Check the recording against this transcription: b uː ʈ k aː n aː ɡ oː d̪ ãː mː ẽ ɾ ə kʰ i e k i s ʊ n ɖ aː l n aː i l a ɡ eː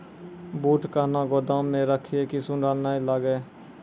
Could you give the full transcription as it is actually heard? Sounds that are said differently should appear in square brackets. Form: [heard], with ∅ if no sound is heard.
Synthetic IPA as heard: b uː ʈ k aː n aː ɡ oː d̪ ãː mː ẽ ɾ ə kʰ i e k i s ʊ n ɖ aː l n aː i l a ɡ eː